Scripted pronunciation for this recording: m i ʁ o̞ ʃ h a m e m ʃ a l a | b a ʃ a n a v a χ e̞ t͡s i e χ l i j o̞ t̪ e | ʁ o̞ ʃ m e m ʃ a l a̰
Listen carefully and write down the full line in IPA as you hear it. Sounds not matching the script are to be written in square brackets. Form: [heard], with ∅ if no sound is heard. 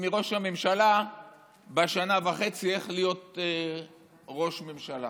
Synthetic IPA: m i ʁ o̞ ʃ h a m e m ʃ a l a | b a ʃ a n a v a χ e̞ t͡s i e χ l i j o̞ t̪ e | ʁ o̞ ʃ m e m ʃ a l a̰